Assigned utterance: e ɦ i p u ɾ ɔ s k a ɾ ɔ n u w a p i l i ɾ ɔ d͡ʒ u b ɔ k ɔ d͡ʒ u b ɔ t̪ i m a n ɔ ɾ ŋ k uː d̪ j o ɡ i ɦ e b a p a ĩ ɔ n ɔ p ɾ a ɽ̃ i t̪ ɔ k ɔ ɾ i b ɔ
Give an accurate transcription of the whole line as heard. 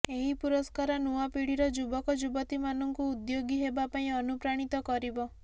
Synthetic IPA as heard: e ɦ i p u ɾ ɔ s k a ɾ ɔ n u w a p i ɽ i ɾ ɔ d͡ʒ u b ɔ k ɔ d͡ʒ u b ɔ t̪ i m a n ɔ ŋ k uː d̪ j o ɡ i ɦ e b a p a ĩ ɔ n u p ɾ a ɽ̃ i t̪ ɔ k ɔ ɾ i b ɔ

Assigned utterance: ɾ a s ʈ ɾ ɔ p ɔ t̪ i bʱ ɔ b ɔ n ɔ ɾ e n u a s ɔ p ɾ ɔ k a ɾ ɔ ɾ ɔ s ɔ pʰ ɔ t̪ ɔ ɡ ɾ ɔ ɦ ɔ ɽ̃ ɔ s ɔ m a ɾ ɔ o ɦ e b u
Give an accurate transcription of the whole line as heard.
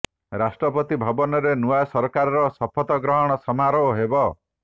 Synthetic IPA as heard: ɾ a s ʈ ɾ ɔ p ɔ t̪ i bʱ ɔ b ɔ n ɔ ɾ e n u a s ɔ ɾ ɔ k a ɾ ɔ ɾ ɔ s ɔ pʰ ɔ t̪ ɔ ɡ ɾ ɔ ɦ ɔ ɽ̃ ɔ s ɔ m a ɾ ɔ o ɦ e b ɔ

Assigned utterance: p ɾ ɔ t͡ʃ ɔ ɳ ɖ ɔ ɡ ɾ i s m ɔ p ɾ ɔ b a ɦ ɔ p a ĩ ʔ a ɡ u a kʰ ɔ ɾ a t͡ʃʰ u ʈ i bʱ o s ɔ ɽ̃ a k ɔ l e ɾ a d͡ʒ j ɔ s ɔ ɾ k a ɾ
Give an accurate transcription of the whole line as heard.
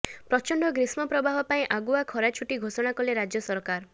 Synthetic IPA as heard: p ɾ ɔ t͡ʃ ɔ ɳ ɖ ɔ ɡ ɾ i s m ɔ p ɾ ɔ b a ɦ ɔ p a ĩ ʔ a ɡ u a kʰ ɔ ɾ a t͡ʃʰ u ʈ i ɡʱ o s ɔ ɽ̃ a k ɔ l e ɾ a d͡ʒ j ɔ s ɔ ɾ k a ɾ

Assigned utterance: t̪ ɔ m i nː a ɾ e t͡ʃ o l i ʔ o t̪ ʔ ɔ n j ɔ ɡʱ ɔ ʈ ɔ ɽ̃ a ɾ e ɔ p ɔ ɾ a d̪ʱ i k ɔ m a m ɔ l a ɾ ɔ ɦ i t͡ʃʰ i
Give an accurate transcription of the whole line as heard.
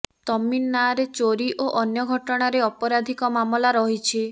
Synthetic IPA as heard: t̪ ɔ m i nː a ɾ e t͡ʃ o ɾ i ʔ o ʔ ɔ n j ɔ ɡʱ ɔ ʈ ɔ ɽ̃ a ɾ e ɔ p ɔ ɾ a d̪ʱ i k ɔ m a m ɔ l a ɾ ɔ ɦ i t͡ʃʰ i

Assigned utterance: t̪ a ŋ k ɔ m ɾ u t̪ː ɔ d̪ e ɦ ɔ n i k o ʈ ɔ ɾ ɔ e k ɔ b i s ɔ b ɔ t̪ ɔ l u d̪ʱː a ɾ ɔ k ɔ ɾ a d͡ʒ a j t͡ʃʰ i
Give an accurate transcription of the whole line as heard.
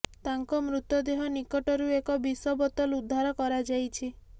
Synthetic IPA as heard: t̪ a ŋ k ɔ m ɾ u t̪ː ɔ d̪ e ɦ ɔ n i k ɔ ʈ ɔ ɾ u e k ɔ b i s ɔ b ɔ t̪ ɔ l u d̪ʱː a ɾ ɔ k ɔ ɾ a d͡ʒ a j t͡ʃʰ i

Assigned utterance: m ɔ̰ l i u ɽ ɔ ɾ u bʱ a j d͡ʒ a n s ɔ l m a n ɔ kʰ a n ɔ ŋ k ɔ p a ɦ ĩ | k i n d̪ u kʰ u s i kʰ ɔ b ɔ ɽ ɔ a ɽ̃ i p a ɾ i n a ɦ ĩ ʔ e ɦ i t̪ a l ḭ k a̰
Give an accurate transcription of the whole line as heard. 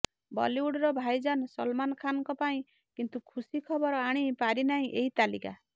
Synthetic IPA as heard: b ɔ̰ l i u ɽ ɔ ɾ ɔ bʱ a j d͡ʒ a n s ɔ l m a n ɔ kʰ a n ɔ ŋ k ɔ p a ĩ | k i n t̪ u kʰ u s i kʰ ɔ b ɔ ɾ ɔ a ɽ̃ i p a ɾ i n a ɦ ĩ ʔ e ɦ i t̪ a l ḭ k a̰

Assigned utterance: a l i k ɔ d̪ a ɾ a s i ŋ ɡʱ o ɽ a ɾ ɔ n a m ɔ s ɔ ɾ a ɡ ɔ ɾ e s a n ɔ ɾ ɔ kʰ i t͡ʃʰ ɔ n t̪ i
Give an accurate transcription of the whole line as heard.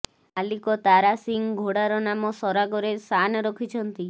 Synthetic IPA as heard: a l i k ɔ t̪ a ɾ a s i ŋ ɡʱ o ɽ a ɾ ɔ n a m ɔ s ɔ ɾ a ɡ ɔ ɾ e s a n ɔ ɾ ɔ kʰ i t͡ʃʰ ɔ n t̪ i

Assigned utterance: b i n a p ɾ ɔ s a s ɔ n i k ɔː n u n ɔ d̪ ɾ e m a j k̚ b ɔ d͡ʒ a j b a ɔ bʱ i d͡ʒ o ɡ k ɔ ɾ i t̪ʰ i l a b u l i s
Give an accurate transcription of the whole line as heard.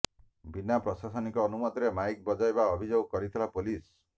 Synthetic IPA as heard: b i n a p ɾ ɔ s a s ɔ n i k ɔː n u m ɔ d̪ ɾ e m a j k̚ b ɔ d͡ʒ a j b a ɔ bʱ i d͡ʒ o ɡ k ɔ ɾ i t̪ʰ i l a p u l i s

